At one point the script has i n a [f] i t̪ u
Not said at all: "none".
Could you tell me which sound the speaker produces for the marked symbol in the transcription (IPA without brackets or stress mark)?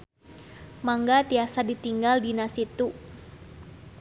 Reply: s